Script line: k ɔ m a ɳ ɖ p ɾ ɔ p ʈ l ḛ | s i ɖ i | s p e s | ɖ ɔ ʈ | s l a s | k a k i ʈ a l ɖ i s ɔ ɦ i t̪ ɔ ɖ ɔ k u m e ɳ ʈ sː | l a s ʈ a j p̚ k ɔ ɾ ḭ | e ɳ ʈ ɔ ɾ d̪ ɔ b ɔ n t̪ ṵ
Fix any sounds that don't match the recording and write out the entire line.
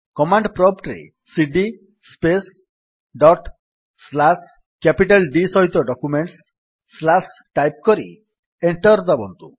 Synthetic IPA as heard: k ɔ m a ɳ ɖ p ɾ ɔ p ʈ ɾ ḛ | s i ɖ i | s p e s | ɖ ɔ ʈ | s l a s | k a p i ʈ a l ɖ i s ɔ ɦ i t̪ ɔ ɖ ɔ k u m e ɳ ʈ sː | l a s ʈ a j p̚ k ɔ ɾ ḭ | e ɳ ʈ ɔ ɾ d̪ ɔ b ɔ n t̪ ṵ